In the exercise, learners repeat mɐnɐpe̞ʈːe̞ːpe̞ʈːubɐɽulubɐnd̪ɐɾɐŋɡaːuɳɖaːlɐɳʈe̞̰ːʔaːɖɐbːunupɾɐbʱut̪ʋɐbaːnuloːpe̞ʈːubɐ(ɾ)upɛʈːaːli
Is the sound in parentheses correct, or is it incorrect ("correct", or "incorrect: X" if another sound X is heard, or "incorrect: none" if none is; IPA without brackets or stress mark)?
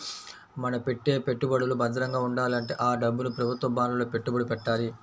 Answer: incorrect: ɽ